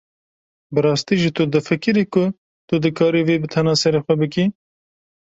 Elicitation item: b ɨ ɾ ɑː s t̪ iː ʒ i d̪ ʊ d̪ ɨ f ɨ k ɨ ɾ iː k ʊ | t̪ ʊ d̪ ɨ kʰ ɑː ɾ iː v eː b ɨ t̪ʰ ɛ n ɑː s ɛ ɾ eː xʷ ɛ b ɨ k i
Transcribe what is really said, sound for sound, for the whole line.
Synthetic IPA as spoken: b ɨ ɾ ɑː s t̪ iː ʒ i t̪ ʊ d̪ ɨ f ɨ k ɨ ɾ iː k ʊ | t̪ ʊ d̪ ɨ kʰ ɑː ɾ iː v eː b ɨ t̪ʰ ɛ n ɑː s ɛ ɾ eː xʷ ɛ b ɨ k i